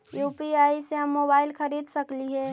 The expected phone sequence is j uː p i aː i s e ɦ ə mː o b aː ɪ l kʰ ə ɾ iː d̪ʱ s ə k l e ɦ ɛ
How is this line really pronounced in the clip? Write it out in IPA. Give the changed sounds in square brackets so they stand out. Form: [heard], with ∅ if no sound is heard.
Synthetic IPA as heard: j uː p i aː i s e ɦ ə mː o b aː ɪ l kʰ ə ɾ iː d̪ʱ s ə k l [i] ɦ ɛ